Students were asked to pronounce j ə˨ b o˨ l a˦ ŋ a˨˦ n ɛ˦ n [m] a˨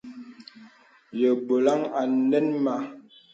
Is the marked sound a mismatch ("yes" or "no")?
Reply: no